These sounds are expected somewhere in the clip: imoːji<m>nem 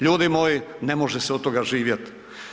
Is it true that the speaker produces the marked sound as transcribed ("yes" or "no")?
no